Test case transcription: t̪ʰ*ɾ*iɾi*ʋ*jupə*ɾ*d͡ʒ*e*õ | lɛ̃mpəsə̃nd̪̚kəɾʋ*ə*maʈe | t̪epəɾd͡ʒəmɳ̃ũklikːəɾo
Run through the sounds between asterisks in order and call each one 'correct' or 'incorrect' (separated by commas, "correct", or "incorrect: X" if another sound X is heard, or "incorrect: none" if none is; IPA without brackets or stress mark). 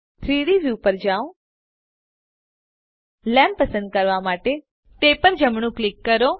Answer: correct, correct, correct, incorrect: a, incorrect: a